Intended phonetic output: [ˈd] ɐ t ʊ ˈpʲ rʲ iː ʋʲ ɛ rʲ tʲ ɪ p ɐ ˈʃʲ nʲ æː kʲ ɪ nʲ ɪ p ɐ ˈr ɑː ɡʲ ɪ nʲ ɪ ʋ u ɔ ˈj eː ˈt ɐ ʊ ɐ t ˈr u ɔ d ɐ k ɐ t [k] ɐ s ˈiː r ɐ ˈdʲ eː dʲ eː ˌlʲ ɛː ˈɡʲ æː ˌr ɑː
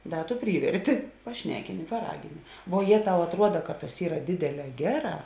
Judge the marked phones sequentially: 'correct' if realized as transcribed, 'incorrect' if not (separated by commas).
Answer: correct, incorrect